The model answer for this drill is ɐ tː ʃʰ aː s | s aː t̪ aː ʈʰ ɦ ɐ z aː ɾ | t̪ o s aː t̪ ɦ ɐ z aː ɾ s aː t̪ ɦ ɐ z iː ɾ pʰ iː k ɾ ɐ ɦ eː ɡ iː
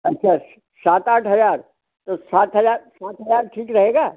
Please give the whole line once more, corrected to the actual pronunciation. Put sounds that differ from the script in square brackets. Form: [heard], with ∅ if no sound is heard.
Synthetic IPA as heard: ɐ tː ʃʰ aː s | s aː t̪ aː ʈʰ ɦ ɐ z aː ɾ | t̪ o s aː t̪ ɦ ɐ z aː ɾ s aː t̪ ɦ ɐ z [aː] ɾ [ʈʰ] iː k ɾ ɐ ɦ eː ɡ [aː]